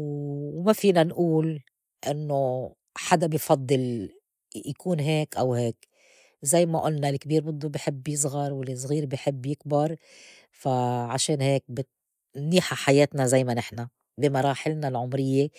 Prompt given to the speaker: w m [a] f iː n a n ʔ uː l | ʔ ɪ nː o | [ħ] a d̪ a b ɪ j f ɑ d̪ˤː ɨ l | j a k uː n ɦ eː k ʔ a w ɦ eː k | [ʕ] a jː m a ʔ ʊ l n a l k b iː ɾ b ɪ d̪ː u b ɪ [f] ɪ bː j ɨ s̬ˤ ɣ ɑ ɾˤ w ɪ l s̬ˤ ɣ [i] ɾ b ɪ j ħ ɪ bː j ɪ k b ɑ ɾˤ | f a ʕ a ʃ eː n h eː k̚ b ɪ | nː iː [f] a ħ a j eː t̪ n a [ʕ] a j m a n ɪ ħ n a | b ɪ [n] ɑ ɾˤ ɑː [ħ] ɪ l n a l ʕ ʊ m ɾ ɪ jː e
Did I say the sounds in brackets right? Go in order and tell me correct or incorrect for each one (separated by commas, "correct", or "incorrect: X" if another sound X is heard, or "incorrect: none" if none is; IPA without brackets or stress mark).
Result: correct, correct, incorrect: z, incorrect: ħ, incorrect: iː, incorrect: ħ, incorrect: z, incorrect: m, correct